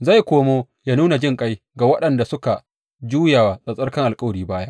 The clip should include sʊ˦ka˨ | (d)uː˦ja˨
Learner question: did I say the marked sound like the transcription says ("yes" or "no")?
no